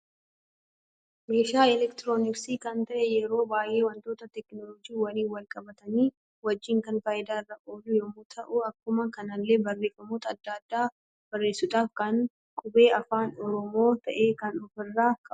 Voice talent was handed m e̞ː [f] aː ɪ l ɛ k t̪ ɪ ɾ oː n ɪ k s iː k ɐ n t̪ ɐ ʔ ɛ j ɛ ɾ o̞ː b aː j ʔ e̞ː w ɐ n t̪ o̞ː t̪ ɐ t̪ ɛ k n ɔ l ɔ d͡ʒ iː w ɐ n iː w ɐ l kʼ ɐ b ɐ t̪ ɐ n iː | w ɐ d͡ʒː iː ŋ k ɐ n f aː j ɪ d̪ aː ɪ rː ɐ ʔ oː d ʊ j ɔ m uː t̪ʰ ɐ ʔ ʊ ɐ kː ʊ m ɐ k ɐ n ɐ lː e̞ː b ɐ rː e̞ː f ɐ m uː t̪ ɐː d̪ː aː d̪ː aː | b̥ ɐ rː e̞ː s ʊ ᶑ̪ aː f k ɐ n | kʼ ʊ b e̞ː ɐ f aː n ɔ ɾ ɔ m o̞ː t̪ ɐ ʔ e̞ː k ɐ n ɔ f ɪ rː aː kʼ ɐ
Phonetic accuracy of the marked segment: incorrect: ʃ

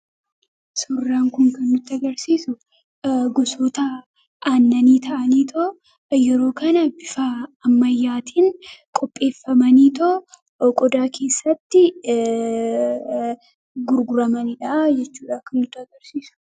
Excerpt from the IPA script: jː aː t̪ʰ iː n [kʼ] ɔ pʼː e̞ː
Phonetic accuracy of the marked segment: correct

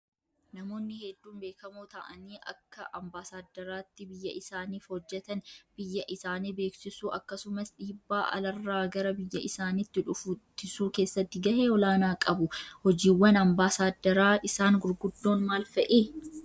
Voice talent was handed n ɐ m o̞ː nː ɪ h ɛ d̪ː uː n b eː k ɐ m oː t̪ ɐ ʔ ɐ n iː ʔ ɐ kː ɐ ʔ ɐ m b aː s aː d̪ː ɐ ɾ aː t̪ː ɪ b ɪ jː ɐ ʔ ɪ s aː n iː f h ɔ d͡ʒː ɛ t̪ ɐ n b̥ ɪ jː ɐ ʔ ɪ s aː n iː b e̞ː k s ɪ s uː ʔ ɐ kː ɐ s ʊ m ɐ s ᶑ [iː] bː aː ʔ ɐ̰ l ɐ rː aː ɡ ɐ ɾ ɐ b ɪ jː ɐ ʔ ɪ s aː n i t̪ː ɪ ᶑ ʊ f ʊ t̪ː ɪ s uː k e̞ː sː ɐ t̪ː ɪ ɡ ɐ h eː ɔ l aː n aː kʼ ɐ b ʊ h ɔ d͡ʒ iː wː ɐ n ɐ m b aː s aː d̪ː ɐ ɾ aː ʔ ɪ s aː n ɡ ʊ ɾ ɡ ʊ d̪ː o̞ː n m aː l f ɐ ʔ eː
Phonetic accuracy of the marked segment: correct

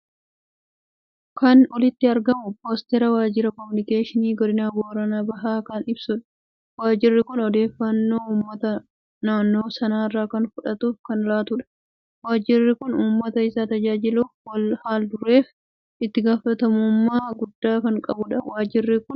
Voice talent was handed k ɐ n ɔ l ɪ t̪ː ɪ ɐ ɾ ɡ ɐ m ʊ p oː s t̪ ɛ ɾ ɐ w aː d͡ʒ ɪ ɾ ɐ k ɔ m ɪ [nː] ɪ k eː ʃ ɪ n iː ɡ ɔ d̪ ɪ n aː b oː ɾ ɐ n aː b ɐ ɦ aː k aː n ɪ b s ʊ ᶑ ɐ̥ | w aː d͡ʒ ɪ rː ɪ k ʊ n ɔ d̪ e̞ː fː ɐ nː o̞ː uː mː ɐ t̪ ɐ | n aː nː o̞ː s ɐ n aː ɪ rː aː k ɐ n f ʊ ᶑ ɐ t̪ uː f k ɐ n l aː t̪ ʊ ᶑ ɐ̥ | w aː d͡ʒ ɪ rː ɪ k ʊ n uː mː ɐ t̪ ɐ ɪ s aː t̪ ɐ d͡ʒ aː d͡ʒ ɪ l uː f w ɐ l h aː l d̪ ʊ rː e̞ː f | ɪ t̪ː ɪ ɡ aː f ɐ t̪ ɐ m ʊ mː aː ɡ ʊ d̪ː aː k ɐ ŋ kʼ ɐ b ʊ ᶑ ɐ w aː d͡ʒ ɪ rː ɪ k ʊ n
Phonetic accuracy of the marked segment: incorrect: n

